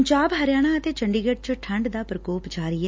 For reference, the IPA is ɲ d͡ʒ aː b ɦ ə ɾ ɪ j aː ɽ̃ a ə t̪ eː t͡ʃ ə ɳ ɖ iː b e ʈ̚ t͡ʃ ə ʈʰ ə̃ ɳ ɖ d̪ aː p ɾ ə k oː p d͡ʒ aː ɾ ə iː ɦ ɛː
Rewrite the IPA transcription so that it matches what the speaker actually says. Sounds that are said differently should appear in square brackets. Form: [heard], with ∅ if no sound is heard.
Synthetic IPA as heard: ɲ d͡ʒ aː b ɦ ə ɾ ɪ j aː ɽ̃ a ə t̪ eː t͡ʃ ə ɳ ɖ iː [ɡ] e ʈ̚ t͡ʃ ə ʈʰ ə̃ ɳ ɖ d̪ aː p ɾ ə k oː p d͡ʒ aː ɾ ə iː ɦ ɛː